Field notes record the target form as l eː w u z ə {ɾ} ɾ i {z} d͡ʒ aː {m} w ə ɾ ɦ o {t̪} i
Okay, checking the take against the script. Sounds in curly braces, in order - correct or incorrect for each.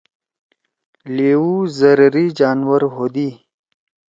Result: correct, incorrect: none, incorrect: n, incorrect: d̪

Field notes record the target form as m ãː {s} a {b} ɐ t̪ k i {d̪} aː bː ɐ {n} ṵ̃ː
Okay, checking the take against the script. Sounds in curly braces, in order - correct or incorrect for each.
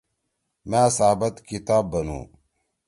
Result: correct, correct, incorrect: t̪, correct

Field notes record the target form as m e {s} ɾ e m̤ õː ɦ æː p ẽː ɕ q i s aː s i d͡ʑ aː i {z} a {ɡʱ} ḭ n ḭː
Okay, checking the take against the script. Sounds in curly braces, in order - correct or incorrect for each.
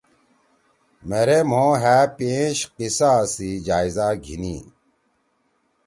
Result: incorrect: none, correct, correct

